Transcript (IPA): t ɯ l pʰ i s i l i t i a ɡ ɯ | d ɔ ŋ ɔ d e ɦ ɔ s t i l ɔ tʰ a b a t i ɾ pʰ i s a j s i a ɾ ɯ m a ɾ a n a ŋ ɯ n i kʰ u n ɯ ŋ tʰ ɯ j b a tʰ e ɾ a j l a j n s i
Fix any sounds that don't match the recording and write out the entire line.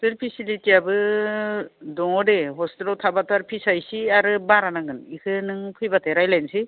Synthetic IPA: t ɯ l pʰ i s i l i t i a b ɯ | d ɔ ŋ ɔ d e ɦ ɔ s t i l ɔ tʰ a b a t a ɾ pʰ i s a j s i a ɾ ɯ b a ɾ a n a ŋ ɯ n i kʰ ɯ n ɯ ŋ pʰ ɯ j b a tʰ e ɾ a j l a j n s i